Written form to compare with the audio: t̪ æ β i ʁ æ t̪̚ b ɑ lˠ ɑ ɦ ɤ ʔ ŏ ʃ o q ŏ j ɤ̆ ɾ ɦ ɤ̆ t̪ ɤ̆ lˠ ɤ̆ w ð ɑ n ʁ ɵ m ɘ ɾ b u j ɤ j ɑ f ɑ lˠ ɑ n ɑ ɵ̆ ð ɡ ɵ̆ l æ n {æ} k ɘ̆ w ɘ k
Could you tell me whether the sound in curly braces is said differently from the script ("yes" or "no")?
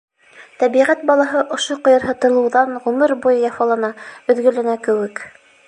no